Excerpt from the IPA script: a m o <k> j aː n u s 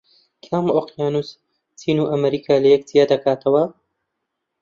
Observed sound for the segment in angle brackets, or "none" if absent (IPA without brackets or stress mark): q